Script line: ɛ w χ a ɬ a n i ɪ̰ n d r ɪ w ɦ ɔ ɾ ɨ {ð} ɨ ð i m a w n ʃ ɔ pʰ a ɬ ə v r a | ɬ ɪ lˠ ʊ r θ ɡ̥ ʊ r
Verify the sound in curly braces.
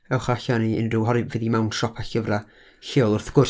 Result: incorrect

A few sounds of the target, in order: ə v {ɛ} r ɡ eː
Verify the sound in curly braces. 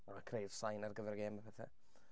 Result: correct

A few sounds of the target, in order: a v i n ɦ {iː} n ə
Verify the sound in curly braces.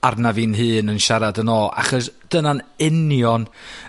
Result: incorrect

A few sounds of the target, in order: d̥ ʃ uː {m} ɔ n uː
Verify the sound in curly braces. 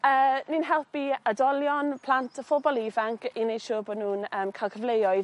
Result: incorrect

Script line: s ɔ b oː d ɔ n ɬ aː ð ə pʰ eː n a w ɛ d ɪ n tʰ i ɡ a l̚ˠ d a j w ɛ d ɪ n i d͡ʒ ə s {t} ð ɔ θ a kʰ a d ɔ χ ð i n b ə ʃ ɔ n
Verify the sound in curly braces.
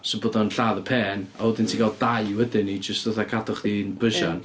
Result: correct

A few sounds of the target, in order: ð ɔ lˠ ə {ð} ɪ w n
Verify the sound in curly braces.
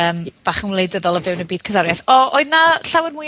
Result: incorrect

